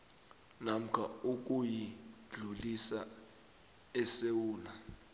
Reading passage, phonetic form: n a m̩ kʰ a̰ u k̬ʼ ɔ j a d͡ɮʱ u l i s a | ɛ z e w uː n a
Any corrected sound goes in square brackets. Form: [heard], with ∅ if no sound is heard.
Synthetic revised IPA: n a m̩ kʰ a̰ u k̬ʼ [u] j [i] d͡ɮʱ u l i s a | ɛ [s] e w uː n a